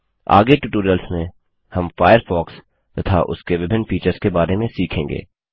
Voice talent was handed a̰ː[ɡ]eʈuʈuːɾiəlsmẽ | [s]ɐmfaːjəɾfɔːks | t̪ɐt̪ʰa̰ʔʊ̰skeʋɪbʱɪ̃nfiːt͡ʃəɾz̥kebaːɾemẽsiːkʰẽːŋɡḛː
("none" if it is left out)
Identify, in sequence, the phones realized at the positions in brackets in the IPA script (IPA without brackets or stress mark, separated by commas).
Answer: ɡ, h